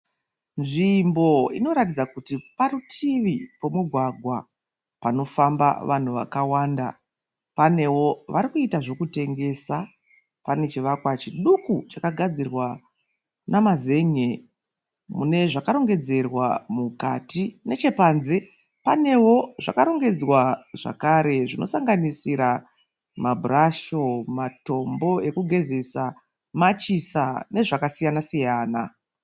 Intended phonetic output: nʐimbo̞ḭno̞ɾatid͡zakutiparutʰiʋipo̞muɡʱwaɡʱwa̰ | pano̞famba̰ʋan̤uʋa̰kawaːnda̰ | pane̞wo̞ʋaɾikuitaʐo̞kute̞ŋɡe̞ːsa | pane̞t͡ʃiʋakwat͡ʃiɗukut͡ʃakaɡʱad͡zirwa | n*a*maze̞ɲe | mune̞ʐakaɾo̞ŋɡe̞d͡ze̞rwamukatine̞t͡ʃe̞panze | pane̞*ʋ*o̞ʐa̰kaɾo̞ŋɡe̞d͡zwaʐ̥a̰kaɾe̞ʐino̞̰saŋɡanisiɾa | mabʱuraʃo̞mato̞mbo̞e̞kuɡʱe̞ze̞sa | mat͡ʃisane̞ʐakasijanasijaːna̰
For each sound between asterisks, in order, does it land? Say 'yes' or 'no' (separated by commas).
yes, no